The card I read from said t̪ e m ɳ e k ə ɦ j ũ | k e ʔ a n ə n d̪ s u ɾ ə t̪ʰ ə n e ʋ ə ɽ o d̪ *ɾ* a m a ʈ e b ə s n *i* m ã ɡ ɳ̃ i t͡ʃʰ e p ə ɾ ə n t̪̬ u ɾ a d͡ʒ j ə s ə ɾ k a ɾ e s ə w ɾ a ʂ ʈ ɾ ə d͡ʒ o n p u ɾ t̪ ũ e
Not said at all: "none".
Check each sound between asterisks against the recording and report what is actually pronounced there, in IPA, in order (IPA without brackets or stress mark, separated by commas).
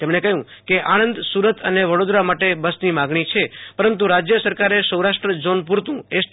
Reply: ɾ, i